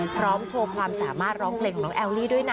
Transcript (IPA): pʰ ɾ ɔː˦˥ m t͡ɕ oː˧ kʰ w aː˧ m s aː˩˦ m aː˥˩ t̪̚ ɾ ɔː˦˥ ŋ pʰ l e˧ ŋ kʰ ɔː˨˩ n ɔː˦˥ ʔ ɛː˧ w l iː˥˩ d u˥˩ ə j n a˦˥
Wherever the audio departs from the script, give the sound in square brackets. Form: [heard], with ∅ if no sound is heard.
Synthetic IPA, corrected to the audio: pʰ ɾ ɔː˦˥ m [t͡ɕʰ] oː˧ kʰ w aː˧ m s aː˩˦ m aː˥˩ t̪̚ ɾ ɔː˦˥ ŋ pʰ l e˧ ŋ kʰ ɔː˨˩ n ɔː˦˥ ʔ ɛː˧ w l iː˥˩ d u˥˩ ə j n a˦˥